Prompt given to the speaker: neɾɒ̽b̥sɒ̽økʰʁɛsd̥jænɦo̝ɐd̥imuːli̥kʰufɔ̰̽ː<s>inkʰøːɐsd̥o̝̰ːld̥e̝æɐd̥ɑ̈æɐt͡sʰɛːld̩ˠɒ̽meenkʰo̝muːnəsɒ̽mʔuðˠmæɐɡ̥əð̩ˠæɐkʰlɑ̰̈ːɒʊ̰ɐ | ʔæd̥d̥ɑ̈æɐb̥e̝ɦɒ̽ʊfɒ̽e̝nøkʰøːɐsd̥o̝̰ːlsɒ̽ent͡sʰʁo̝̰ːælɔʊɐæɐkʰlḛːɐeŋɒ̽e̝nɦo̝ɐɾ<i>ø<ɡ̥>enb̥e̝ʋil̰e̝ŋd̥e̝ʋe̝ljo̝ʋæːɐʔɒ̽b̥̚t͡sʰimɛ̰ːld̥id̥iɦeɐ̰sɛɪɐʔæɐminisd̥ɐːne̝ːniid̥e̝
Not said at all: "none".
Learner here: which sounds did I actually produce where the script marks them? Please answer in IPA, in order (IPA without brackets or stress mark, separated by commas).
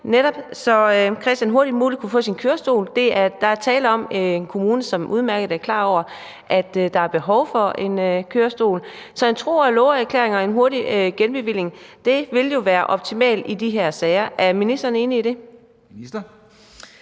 s, i, ɡ̥